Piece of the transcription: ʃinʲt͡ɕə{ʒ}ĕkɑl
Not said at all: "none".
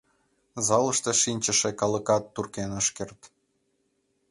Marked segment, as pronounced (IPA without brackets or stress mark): ʃ